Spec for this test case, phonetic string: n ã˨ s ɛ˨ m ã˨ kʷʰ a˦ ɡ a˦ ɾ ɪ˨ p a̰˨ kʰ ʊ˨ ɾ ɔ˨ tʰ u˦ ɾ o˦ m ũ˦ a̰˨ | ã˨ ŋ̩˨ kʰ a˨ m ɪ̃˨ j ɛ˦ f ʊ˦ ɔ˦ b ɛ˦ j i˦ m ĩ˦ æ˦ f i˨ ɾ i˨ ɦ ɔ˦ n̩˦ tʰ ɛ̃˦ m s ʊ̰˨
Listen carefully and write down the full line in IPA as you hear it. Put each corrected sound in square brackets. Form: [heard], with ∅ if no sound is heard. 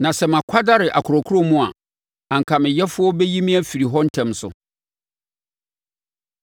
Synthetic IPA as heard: n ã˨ s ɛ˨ m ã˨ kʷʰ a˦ [d] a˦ ɾ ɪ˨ [ʔ] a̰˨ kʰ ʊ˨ ɾ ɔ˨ [kʰ] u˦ ɾ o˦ m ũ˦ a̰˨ | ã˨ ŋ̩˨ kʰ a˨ m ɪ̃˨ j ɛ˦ f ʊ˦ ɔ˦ b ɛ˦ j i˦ m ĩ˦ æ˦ f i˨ ɾ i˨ ɦ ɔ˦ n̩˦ tʰ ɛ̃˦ m s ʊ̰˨